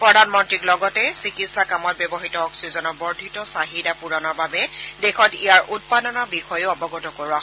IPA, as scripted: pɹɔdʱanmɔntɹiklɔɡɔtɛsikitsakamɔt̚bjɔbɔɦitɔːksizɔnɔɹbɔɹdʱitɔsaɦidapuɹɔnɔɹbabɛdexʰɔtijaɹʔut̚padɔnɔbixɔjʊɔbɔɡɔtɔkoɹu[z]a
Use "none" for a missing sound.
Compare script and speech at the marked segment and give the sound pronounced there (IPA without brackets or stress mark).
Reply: none